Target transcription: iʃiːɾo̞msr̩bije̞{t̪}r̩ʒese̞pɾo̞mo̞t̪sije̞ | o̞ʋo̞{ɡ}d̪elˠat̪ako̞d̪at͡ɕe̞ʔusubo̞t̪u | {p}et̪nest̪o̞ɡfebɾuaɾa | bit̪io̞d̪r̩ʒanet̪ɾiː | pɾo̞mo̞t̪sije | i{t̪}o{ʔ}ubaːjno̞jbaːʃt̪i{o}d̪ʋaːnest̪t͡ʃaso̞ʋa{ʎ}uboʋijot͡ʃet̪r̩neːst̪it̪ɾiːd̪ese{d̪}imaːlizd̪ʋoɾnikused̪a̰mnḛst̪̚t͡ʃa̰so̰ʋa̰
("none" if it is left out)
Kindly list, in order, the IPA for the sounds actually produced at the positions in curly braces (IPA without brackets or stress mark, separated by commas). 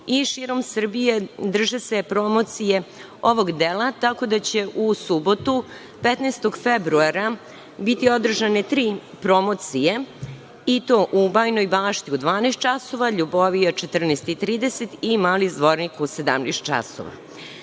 d̪, ɡ, p, t̪, ʔ, u, ʎ, t̪